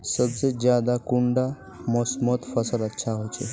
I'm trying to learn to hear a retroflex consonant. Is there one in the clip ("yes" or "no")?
yes